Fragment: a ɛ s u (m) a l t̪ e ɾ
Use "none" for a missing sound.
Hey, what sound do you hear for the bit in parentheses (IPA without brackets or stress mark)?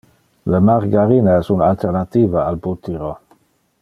n